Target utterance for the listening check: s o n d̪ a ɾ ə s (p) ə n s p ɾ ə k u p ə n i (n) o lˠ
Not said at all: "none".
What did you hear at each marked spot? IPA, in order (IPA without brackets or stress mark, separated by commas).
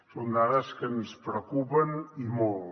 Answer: k, m